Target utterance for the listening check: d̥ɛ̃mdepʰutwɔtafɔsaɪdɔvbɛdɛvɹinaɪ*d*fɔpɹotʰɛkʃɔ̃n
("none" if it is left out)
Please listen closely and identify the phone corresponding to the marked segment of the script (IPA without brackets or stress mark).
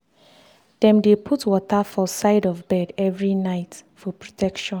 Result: t